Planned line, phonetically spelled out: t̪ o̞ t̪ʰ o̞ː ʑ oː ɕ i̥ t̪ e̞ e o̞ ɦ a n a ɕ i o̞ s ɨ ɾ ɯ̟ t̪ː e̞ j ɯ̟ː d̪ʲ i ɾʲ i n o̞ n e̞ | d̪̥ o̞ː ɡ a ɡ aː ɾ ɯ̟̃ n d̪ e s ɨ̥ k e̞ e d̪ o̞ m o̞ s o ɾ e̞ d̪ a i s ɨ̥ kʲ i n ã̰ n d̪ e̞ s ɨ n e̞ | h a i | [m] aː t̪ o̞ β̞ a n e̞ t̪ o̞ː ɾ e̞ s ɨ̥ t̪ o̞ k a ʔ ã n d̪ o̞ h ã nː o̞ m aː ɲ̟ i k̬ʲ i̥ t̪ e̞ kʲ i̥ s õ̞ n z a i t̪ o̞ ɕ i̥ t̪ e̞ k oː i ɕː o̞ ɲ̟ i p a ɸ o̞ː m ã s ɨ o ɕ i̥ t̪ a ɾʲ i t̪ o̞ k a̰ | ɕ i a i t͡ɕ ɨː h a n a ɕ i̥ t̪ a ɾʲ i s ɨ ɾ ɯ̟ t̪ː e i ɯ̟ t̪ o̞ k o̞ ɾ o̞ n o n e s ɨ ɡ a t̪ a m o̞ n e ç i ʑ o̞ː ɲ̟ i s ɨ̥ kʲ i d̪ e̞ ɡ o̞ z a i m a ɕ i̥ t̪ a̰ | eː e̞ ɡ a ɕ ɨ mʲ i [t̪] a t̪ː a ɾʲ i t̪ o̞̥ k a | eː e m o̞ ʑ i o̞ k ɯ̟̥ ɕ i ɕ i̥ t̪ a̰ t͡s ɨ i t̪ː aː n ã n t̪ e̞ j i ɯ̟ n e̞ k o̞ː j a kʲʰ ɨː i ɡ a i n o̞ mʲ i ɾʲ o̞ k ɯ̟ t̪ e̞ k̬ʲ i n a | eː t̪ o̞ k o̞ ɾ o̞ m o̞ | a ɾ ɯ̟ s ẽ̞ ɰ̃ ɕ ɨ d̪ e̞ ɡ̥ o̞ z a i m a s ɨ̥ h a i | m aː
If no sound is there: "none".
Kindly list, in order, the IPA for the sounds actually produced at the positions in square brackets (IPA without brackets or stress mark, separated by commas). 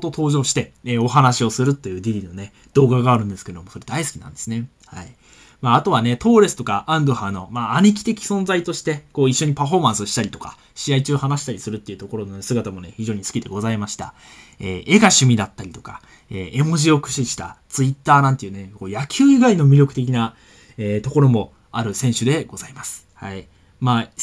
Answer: m, d̪